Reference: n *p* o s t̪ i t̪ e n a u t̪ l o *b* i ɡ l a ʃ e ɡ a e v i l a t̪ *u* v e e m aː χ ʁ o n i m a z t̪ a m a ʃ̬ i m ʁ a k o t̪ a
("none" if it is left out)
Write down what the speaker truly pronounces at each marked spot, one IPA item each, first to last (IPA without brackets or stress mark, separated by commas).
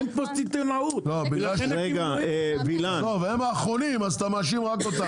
p, b, o